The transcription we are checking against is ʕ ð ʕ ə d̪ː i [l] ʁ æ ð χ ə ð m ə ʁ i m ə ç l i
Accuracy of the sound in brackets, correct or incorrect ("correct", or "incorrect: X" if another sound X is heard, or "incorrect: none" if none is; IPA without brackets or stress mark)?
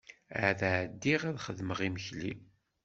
incorrect: none